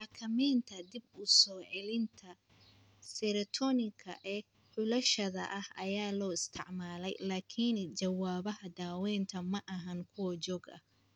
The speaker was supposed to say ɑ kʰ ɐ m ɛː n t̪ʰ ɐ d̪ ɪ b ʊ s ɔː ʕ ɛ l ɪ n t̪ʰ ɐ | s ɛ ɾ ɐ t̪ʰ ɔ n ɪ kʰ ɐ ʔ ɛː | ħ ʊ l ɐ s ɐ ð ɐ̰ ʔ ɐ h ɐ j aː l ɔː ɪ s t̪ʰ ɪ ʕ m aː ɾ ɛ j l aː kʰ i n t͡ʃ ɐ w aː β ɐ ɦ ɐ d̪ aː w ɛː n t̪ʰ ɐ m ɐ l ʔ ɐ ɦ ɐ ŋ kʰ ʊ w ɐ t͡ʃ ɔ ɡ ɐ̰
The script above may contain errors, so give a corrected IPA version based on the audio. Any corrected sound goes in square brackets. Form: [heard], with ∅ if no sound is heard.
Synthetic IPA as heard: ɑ kʰ ɐ m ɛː n t̪ʰ ɐ d̪ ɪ b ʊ s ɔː ʕ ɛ l ɪ n t̪ʰ ɐ | s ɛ ɾ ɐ t̪ʰ ɔ n ɪ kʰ ɐ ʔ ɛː | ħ ʊ l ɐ [ʃ] ɐ ð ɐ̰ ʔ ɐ h ɐ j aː l ɔː ɪ s t̪ʰ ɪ ʕ m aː [l] ɛ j l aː kʰ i n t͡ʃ ɐ w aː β ɐ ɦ ɐ d̪ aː w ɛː n t̪ʰ ɐ m ɐ [∅] ʔ ɐ ɦ ɐ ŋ kʰ ʊ w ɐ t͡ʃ [ɔː] ɡ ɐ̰